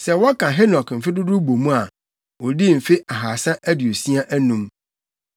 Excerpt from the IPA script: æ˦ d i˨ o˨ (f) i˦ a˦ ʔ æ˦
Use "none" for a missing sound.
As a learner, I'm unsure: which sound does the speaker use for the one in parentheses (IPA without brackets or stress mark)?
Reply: s